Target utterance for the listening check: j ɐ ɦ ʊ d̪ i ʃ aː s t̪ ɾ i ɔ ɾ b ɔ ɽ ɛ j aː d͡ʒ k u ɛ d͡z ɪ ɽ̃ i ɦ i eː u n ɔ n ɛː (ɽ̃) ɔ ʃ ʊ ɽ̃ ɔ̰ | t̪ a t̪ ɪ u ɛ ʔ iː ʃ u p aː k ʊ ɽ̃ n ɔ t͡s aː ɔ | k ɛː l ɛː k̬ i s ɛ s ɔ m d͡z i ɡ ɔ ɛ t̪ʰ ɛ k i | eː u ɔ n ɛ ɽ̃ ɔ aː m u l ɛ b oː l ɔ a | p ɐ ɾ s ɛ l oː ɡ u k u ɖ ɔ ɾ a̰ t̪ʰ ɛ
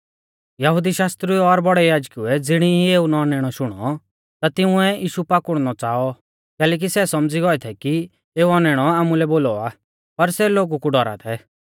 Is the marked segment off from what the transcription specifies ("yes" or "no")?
no